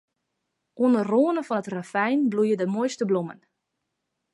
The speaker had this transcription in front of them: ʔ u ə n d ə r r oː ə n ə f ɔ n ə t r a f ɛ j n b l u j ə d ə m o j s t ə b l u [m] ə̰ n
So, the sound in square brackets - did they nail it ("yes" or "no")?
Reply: yes